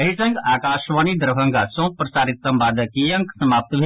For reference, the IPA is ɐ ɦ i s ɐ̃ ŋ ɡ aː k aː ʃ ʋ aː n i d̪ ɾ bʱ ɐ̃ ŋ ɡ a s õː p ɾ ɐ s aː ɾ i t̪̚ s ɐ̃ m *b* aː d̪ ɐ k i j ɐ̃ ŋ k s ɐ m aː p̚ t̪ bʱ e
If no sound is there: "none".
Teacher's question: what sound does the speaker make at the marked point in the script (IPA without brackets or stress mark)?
b